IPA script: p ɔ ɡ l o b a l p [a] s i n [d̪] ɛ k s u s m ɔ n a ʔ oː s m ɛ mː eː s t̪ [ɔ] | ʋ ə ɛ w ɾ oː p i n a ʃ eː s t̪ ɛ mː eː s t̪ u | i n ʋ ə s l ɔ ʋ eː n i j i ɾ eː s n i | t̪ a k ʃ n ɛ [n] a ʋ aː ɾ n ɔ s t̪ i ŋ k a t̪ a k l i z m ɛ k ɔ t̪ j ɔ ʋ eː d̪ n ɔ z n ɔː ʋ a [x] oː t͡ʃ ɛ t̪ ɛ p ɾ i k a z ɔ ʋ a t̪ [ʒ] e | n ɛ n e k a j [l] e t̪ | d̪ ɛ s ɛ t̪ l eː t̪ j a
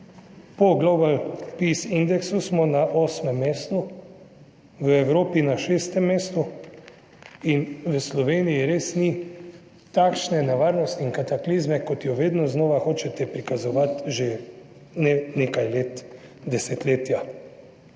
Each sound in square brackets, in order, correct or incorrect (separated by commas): incorrect, correct, incorrect, correct, correct, correct, correct